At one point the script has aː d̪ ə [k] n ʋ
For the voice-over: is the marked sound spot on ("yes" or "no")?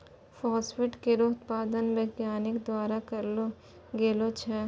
no